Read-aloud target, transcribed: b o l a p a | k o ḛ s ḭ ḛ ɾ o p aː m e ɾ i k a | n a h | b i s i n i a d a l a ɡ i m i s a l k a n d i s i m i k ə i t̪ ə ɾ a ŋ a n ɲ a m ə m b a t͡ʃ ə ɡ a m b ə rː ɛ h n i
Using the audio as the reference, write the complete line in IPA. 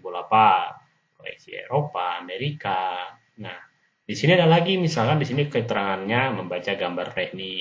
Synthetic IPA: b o l a p a | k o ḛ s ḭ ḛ ɾ o p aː m e ɾ i k a | n a h | d i s i n i a d a l a ɡ i m i s a l k a n d i s i n i k ə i t̪ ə ɾ a ŋ a n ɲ a m ə m b a t͡ʃ a ɡ a m b a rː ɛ h n i